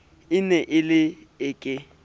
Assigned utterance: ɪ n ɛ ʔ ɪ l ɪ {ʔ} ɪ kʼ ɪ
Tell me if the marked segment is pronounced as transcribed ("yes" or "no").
no